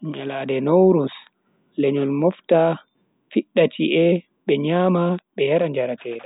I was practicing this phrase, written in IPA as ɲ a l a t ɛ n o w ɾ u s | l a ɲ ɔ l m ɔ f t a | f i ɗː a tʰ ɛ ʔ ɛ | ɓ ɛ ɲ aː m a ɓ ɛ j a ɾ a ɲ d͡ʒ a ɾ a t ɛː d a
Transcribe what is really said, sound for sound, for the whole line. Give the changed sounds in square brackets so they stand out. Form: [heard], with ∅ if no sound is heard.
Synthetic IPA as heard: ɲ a l a [d] ɛ n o w ɾ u s | l [ɛ] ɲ ɔ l m ɔ f t a | f i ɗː a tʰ [i] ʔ ɛ | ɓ ɛ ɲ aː m a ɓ ɛ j a ɾ a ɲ d͡ʒ a ɾ a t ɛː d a

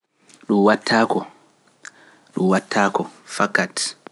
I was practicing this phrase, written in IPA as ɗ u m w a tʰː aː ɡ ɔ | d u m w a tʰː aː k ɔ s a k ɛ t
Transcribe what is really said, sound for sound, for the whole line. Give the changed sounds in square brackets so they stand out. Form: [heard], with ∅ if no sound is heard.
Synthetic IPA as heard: ɗ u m w a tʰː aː [k] ɔ | [ɗ] u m w a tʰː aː k ɔ [f] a k [a] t

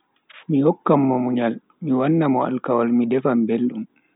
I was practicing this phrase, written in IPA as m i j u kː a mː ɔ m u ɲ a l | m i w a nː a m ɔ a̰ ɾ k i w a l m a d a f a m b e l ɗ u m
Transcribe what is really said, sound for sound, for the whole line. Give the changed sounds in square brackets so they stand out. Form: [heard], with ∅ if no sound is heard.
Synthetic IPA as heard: m i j [ɔ] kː a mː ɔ m u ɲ a l | m i w a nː a m ɔ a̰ [l] k [a] w a l m [i] d [ɛ] f a m b e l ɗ u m

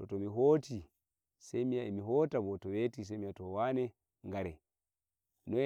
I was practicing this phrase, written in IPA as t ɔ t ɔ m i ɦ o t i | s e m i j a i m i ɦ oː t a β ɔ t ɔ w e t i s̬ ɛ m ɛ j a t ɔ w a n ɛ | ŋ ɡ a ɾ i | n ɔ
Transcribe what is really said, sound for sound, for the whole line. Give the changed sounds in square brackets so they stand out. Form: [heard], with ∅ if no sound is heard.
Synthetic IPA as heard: t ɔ t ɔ m i ɦ o t i | s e m i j a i m i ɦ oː t a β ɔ t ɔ w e t i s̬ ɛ m [i] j a t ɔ w a n ɛ | ŋ ɡ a ɾ [ɛ] | n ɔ

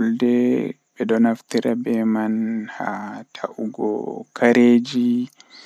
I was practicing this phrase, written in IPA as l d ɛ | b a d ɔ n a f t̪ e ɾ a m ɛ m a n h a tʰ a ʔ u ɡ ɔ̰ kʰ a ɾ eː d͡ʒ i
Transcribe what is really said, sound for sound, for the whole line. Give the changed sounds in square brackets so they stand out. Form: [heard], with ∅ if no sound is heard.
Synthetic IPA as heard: l d ɛ | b [ɛ] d ɔ n a f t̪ [i] ɾ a [b] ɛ m a n h a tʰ a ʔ u ɡ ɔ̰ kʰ a ɾ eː d͡ʒ i

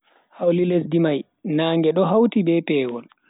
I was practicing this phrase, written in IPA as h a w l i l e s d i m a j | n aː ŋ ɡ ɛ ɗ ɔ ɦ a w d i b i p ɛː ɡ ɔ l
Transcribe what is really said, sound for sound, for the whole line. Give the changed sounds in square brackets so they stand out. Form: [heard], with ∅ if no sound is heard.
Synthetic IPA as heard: h a w l i l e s d i m a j | n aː ŋ ɡ ɛ ɗ ɔ ɦ a w [t] i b [ɛ] p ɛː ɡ ɔ l

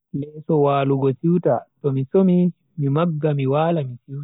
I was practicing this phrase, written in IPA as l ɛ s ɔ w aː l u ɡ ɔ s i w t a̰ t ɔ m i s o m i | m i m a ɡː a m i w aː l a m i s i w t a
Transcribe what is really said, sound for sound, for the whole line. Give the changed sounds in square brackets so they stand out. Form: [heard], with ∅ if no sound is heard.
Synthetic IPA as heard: l ɛ s ɔ w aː l u ɡ ɔ s i w t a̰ t ɔ m i s o m i | m i m a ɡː a m i w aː l a m i s i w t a

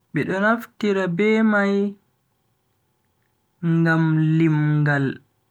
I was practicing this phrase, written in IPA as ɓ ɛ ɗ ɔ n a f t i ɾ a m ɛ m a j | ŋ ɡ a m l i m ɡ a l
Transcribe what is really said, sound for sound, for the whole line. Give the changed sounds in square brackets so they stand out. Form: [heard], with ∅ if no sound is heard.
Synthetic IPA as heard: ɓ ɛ ɗ ɔ n a f t i ɾ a [b] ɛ m a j | ŋ ɡ a m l i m ɡ a l

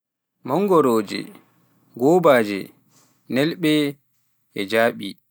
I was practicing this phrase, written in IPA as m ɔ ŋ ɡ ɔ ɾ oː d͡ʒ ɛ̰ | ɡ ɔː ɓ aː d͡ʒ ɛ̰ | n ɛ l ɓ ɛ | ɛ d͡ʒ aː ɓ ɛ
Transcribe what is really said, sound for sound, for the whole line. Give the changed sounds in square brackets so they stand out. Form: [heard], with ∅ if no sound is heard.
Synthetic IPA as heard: m ɔ ŋ ɡ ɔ ɾ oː d͡ʒ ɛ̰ | ɡ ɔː [b] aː d͡ʒ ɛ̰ | n ɛ l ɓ ɛ | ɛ d͡ʒ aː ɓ [i]

